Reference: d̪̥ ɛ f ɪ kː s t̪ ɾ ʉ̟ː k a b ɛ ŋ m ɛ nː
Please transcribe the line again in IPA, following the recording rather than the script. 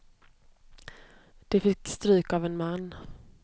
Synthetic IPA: d̪̥ ɛ f ɪ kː s t̪ ɾ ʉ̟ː k a v ɛ n m a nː